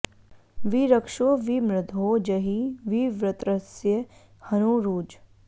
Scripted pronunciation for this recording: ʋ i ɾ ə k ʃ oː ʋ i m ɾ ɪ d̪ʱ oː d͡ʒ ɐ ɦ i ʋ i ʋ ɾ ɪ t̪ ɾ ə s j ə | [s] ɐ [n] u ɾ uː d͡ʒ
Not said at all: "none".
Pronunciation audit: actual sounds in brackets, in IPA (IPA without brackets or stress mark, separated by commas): h, n